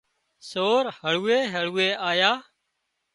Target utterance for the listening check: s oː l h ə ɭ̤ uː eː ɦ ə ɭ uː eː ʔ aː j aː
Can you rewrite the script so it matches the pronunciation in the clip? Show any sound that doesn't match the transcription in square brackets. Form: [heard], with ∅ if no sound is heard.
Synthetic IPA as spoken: s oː [ɾ] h ə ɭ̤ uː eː ɦ ə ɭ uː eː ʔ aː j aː